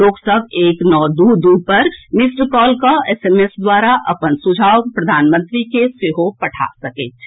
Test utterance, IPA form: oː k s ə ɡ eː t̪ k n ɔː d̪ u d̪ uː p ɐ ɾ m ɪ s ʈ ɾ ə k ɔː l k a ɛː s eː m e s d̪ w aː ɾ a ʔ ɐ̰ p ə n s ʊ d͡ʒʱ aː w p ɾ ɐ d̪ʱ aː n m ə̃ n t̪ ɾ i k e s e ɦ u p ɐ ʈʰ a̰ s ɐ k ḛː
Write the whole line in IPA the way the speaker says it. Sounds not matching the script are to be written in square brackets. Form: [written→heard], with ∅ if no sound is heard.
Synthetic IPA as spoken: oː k s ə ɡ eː [t̪→∅] k n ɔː d̪ u d̪ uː p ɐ ɾ m ɪ s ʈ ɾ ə k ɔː l k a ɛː s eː m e s d̪ w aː ɾ a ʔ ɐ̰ p ə n s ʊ d͡ʒʱ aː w p ɾ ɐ d̪ʱ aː n m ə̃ n t̪ ɾ i k e s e ɦ [u→o] p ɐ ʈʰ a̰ s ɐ k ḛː